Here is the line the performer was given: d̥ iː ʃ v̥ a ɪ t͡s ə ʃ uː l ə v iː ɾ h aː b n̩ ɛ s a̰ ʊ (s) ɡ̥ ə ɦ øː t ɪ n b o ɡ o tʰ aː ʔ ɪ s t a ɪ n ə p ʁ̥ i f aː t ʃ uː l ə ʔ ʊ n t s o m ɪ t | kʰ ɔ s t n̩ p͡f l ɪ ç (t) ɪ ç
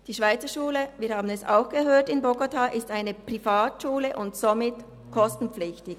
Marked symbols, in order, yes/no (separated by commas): no, yes